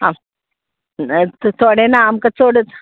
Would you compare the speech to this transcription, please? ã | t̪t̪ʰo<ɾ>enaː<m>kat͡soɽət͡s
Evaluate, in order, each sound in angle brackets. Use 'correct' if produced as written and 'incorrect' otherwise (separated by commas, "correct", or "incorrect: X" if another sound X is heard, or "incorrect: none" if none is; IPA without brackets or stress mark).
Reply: incorrect: ɽ, correct